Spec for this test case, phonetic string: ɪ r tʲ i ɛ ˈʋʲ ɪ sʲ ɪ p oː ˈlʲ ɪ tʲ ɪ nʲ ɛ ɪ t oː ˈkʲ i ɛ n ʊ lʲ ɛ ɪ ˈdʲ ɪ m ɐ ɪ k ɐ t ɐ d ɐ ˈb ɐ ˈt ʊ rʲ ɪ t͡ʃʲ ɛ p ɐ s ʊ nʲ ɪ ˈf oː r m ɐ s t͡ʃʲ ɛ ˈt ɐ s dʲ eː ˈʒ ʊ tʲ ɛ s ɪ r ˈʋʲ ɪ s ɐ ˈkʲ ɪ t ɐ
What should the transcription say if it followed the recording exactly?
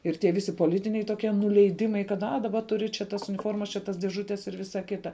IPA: ɪ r tʲ i ɛ ˈʋʲ ɪ sʲ ɪ p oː ˈlʲ ɪ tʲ ɪ nʲ ɛ ɪ t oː ˈkʲ i ɛ n ʊ lʲ ɛ ɪ ˈdʲ ɪ m ɐ ɪ k ɐ t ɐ d ɐ ˈb ɐ ˈt ʊ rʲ ɪ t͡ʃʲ ɛ t ɐ s ʊ nʲ ɪ ˈf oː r m ɐ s t͡ʃʲ ɛ ˈt ɐ s dʲ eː ˈʒ ʊ tʲ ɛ s ɪ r ˈʋʲ ɪ s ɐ ˈkʲ ɪ t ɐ